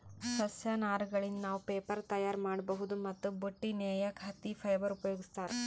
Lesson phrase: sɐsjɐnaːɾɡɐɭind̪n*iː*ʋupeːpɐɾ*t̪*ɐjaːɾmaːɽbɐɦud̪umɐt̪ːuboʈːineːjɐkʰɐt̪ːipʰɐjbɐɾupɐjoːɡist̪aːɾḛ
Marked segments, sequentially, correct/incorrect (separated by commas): incorrect, correct